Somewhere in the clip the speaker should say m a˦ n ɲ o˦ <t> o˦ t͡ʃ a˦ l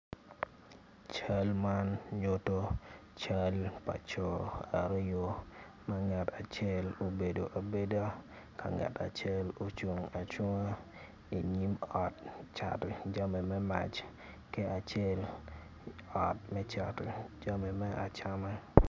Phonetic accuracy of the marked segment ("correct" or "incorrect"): correct